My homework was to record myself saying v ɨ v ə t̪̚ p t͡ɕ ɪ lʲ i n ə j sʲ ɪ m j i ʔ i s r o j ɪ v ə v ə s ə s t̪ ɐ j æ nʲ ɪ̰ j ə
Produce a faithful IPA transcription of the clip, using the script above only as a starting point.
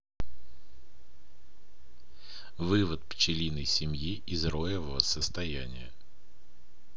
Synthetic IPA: v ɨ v ə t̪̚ p t͡ɕ ɪ lʲ i n ə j sʲ ɪ m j i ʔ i z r o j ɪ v ə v ə s ə s t̪ ɐ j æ nʲ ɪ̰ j ə